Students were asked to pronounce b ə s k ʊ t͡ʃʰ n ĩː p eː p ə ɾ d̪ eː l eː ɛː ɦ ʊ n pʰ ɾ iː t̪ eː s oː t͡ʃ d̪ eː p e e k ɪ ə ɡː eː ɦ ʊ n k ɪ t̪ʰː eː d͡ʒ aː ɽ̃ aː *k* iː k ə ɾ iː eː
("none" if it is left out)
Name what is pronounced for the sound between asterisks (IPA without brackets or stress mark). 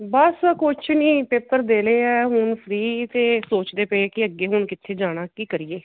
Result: k